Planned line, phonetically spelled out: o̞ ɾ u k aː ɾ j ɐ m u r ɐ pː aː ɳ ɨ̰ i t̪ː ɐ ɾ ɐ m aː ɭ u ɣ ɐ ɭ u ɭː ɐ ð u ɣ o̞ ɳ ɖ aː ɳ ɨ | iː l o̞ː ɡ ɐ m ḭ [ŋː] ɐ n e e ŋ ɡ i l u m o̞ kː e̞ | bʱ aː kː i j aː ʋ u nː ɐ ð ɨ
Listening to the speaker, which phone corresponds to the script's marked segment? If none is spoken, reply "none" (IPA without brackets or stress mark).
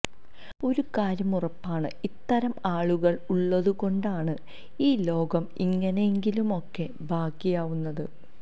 ŋː